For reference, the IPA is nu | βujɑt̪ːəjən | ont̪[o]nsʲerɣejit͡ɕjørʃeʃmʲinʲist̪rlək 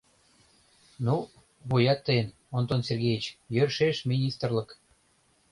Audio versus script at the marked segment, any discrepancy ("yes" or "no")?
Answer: no